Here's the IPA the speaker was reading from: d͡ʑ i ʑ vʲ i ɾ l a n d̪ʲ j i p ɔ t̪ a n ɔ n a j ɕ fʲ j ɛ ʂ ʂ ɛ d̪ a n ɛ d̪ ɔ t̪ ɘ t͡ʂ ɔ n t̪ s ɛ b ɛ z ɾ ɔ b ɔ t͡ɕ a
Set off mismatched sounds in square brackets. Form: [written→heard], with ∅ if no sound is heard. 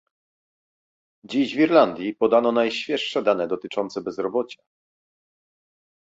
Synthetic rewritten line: d͡ʑ i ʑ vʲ i ɾ l a n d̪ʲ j i p ɔ [t̪→d̪] a n ɔ n a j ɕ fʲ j ɛ ʂ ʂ ɛ d̪ a n ɛ d̪ ɔ t̪ ɘ t͡ʂ ɔ n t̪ s ɛ b ɛ z ɾ ɔ b ɔ t͡ɕ a